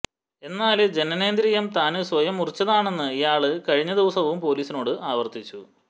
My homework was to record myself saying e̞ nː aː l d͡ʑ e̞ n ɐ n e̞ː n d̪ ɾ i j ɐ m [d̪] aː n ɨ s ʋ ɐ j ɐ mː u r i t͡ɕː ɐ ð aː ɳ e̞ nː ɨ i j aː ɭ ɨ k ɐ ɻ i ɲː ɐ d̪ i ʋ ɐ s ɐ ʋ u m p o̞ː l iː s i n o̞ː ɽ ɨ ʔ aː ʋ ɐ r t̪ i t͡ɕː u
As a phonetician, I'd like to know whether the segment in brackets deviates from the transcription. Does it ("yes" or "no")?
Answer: yes